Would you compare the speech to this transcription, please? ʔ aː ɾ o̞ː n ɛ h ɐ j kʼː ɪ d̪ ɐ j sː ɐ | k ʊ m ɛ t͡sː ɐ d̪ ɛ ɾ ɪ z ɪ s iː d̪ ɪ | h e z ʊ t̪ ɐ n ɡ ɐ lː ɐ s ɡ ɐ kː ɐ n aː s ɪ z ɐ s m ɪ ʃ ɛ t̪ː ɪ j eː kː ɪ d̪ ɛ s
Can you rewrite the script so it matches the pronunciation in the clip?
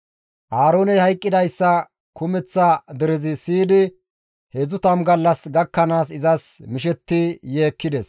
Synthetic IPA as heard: ʔ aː ɾ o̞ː n ɛ h ɐ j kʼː ɪ d̪ ɐ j sː ɐ | k ʊ m ɛ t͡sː ɐ d̪ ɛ ɾ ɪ z ɪ s iː d̪ ɪ | h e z ʊ t̪ ɐ m ɡ ɐ lː ɐ s ɡ ɐ kː ɐ n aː s ɪ z ɐ s m ɪ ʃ ɛ t̪ː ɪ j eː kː ɪ d̪ ɛ s